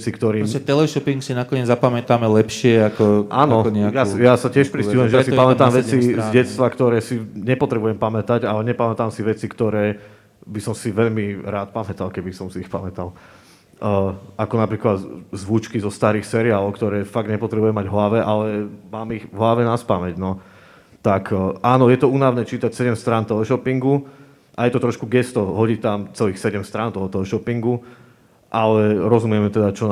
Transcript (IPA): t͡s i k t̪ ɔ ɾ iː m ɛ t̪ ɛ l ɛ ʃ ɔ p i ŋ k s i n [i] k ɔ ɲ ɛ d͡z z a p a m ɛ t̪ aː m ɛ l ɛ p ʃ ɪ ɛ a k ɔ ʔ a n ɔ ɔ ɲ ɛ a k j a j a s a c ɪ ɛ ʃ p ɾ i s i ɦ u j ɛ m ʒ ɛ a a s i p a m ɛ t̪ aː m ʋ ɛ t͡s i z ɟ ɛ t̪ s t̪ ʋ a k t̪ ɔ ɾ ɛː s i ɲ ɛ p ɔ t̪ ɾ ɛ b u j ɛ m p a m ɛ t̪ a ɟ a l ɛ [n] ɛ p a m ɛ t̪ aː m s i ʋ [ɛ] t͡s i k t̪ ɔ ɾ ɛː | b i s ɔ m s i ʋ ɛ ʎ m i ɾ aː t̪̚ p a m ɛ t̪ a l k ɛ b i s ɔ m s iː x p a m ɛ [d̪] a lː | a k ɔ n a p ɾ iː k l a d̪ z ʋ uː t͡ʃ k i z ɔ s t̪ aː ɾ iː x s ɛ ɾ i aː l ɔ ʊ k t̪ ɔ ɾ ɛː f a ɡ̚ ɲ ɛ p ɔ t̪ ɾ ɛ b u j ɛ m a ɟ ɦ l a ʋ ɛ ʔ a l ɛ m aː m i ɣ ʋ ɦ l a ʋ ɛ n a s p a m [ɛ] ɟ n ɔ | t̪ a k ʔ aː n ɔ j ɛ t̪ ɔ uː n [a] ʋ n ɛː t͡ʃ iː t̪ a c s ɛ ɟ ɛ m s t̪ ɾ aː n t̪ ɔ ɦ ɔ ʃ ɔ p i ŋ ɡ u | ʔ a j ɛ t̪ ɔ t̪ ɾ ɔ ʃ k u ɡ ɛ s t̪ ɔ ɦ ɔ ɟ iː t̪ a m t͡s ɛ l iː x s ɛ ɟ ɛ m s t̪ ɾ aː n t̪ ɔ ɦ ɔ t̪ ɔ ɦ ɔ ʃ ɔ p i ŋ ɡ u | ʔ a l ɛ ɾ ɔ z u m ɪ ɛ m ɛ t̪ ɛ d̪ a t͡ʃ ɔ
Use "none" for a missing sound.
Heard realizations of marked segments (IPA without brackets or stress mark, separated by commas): a, ɲ, ɛ, t̪, ɛ, a